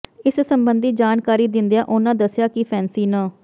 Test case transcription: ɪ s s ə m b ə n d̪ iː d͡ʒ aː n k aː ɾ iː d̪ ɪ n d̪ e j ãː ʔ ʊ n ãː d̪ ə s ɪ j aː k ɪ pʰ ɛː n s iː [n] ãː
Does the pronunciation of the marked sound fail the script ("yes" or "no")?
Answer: no